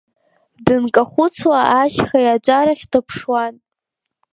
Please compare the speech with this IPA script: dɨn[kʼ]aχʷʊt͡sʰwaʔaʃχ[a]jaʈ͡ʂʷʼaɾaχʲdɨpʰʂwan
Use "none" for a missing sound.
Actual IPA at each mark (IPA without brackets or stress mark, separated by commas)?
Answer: kʼ, a